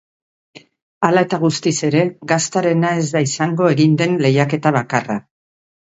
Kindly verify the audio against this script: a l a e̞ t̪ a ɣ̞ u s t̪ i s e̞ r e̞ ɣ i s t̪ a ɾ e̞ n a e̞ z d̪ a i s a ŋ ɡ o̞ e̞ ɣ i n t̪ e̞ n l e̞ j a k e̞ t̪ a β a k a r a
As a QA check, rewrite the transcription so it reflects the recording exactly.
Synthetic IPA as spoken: a l a e̞ t̪ a ɣ̞ u s t̪ i s e̞ ɾ e̞ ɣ a s t̪ a ɾ e̞ n a e̞ z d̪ a i s a ŋ ɡ o̞ e̞ ɣ i n d̪ e̞ n l e̞ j a k e̞ t̪ a β a k a r a